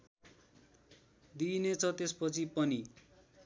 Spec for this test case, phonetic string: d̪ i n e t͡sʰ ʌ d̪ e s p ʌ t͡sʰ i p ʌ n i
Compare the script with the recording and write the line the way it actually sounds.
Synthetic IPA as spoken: d̪ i n e t͡sʰ ʌ t̪ e s p ʌ t͡sʰ i p ʌ n i